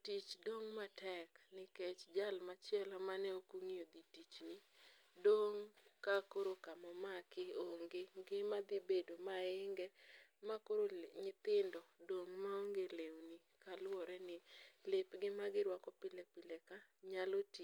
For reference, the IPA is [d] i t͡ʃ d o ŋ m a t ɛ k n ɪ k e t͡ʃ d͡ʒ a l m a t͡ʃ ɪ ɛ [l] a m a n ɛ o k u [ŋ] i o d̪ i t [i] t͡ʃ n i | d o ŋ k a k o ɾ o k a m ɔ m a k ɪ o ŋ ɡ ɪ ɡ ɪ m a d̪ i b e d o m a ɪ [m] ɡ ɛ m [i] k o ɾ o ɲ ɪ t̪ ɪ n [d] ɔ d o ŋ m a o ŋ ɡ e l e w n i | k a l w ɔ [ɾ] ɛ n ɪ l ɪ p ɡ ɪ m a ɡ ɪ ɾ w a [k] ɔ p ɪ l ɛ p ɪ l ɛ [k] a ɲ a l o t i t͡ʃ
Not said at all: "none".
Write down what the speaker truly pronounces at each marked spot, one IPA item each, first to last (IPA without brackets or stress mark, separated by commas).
t, l, ŋ, i, ŋ, a, d, ɾ, k, k